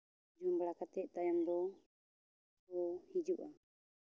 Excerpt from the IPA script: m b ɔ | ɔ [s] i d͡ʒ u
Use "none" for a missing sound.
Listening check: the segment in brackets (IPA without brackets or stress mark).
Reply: h